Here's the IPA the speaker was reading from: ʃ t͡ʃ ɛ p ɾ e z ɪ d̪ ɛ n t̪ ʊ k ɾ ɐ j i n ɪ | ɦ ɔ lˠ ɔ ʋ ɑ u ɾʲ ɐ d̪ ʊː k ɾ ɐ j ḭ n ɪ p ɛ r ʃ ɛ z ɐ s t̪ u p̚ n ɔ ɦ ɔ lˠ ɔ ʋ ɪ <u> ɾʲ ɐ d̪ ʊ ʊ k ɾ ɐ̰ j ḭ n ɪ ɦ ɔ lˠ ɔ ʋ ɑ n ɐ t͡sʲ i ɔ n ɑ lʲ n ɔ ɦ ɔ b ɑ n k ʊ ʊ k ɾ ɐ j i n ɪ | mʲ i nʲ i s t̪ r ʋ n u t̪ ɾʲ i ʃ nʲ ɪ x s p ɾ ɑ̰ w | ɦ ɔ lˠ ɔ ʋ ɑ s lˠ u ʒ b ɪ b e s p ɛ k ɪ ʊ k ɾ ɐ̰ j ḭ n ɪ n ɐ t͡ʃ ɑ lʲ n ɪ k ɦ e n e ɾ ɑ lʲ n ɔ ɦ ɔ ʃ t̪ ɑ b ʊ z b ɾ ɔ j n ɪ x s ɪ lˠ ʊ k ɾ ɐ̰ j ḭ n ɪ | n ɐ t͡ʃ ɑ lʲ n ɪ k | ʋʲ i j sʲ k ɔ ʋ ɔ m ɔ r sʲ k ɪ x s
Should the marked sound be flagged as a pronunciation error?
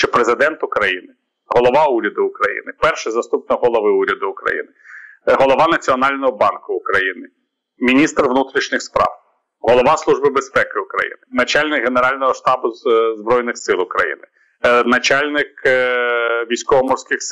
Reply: no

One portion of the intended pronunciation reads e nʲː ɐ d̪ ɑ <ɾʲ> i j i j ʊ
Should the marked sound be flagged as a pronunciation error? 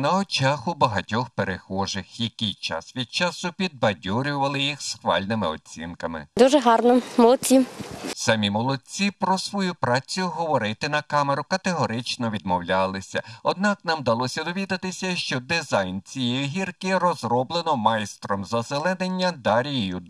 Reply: no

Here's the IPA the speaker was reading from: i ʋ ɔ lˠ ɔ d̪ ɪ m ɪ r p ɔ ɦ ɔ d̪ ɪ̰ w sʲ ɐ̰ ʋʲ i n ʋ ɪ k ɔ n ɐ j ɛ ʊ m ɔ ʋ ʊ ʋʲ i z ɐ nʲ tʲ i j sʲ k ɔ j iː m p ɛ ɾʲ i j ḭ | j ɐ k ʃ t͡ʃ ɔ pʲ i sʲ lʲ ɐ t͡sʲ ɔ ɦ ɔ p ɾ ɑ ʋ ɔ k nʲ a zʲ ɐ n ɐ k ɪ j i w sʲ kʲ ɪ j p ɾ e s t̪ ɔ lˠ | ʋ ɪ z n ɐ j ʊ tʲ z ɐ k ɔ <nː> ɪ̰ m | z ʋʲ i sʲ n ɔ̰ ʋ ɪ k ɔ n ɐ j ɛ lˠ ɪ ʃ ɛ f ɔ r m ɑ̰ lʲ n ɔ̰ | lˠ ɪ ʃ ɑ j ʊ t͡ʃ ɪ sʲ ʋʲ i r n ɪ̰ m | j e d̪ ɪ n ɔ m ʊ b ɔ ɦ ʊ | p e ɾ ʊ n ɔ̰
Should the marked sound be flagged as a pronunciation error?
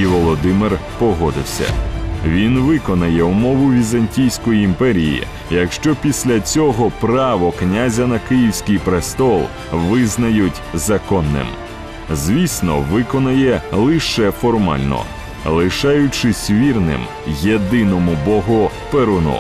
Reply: no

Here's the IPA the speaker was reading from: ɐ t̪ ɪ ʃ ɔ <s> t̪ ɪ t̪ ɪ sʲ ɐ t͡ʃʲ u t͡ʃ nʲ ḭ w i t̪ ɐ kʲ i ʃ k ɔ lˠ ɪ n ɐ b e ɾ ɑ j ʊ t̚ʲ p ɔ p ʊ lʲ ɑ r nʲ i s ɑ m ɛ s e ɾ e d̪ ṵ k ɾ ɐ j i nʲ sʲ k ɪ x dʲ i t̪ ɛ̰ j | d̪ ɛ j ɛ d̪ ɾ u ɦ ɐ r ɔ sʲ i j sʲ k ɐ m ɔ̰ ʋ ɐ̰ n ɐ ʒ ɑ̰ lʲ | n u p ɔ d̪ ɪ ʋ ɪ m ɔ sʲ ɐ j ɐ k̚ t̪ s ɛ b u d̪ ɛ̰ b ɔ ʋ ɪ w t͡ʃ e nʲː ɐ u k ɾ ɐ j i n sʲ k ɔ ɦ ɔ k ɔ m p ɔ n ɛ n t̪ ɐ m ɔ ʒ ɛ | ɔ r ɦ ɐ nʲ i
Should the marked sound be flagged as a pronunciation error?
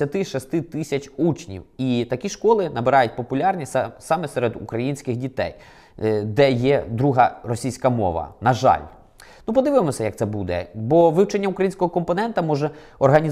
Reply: no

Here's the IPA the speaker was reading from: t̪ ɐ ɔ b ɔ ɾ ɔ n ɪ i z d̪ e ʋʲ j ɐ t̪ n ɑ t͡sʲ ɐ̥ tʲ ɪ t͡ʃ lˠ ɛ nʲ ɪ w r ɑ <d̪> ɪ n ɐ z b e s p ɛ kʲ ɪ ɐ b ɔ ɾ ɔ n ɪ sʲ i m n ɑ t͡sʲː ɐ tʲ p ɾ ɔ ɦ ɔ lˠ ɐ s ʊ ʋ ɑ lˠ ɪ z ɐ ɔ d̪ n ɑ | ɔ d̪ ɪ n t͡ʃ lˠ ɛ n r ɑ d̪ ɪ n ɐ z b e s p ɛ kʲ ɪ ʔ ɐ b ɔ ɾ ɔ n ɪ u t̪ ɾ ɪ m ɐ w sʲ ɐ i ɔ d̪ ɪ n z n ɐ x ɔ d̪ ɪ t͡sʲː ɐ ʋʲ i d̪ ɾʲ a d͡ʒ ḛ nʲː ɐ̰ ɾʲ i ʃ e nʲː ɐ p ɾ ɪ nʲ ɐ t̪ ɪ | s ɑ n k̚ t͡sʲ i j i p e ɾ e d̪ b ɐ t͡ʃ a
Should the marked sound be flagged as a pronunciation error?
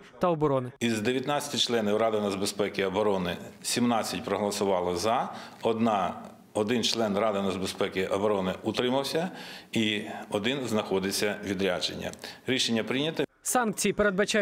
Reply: no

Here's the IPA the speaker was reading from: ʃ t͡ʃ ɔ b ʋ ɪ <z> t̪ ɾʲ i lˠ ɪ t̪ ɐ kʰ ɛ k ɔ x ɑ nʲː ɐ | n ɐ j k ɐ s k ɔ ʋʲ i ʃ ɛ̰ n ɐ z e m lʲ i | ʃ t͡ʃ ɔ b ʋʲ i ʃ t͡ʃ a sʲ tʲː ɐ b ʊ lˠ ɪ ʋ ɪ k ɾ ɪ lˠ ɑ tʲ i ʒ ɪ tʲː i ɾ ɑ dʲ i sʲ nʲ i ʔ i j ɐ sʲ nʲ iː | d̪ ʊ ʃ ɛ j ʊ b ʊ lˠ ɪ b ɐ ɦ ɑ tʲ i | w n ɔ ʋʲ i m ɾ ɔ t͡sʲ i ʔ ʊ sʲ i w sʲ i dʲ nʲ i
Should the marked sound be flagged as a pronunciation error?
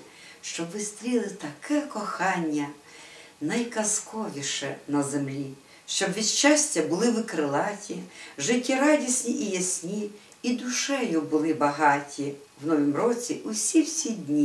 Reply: yes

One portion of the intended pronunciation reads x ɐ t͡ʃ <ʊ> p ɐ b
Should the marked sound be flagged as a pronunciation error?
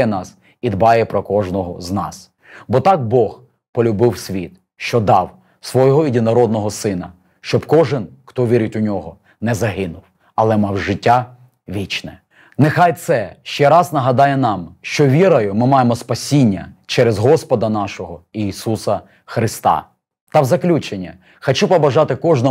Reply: yes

